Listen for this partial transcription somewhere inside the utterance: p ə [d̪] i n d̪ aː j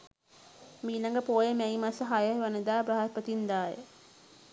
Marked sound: incorrect: t̪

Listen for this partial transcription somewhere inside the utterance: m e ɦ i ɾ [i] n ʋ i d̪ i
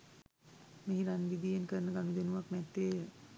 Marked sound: incorrect: a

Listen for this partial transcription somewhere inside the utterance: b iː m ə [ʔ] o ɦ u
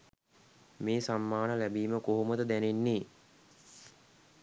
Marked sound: incorrect: k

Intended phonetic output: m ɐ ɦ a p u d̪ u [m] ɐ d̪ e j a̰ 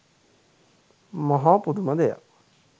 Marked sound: correct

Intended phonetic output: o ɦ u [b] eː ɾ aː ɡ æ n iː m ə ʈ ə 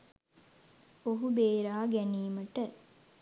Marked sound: correct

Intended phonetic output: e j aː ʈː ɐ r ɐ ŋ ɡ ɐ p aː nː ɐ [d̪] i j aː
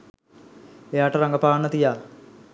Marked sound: incorrect: t̪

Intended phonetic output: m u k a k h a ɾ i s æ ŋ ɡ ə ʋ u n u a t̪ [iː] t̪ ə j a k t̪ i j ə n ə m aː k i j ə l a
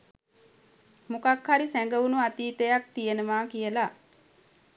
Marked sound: correct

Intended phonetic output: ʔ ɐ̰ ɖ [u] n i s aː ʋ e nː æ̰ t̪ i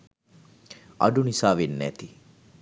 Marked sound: correct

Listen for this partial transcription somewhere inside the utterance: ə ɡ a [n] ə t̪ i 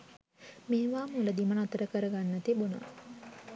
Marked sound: incorrect: nː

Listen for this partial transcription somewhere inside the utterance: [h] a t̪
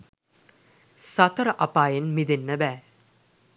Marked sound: incorrect: s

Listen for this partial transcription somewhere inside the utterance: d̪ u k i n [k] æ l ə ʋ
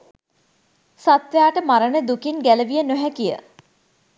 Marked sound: incorrect: ɡ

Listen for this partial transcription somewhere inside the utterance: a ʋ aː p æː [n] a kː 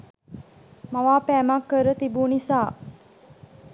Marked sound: incorrect: m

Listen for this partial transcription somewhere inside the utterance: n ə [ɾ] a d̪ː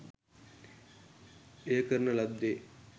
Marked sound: incorrect: l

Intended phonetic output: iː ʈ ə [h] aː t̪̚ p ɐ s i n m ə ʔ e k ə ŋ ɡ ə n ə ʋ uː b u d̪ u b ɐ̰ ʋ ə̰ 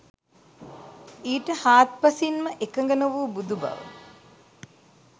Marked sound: correct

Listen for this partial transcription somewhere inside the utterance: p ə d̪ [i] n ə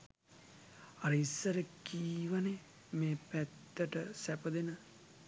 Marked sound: incorrect: e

